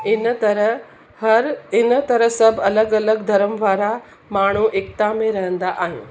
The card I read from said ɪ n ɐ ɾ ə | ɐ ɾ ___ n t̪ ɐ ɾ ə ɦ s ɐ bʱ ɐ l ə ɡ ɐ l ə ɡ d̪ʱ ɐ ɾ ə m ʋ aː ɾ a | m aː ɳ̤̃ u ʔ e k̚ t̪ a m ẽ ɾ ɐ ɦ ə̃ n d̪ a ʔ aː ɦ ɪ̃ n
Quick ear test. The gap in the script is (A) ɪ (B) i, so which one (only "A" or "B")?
A